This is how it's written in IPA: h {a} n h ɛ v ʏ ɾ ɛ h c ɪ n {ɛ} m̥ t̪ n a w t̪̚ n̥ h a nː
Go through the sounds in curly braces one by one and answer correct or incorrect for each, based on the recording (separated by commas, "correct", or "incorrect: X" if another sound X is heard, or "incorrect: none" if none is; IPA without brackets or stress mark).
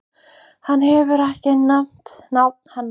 correct, incorrect: a